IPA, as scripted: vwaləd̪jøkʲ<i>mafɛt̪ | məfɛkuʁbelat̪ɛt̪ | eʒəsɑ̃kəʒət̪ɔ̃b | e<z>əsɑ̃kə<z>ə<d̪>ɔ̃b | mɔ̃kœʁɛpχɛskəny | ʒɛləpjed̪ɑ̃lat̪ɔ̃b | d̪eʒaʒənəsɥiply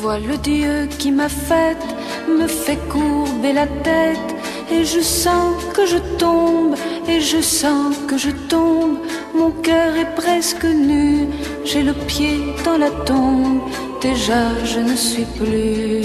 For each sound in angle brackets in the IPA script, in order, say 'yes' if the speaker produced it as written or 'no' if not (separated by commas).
yes, no, no, no